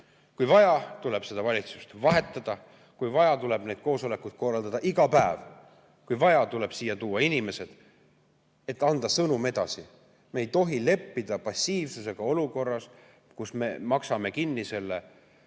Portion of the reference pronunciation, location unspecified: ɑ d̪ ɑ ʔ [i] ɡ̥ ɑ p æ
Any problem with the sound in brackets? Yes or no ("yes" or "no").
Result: no